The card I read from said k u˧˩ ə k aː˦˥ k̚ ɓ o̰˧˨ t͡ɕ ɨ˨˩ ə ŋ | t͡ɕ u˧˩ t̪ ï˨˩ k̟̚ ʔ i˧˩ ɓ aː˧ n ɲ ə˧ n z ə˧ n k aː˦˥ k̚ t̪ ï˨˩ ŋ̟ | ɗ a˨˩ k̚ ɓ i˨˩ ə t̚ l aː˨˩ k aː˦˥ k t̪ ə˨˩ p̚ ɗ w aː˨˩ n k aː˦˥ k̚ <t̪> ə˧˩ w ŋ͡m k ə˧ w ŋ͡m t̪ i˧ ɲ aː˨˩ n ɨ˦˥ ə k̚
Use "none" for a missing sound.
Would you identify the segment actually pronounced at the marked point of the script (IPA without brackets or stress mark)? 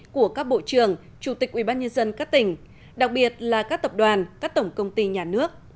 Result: t̪